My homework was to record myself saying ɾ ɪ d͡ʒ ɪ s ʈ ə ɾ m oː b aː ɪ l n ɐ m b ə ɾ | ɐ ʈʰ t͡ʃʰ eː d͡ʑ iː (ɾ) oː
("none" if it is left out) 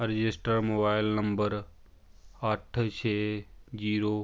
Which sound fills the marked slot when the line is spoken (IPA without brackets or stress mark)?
ɾ